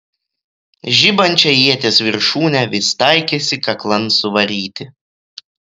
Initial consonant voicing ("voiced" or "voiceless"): voiced